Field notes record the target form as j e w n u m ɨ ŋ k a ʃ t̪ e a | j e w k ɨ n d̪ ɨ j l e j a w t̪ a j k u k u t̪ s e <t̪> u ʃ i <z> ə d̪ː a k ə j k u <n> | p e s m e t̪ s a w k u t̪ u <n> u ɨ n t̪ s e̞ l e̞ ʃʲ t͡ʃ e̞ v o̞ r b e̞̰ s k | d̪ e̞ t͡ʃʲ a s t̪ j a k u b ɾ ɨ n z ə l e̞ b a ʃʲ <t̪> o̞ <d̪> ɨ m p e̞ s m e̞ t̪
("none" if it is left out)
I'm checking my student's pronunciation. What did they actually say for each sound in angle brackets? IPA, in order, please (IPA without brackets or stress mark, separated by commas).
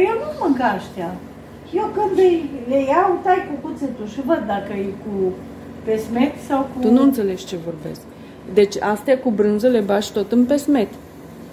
t̪, v, none, n, t̪, t̪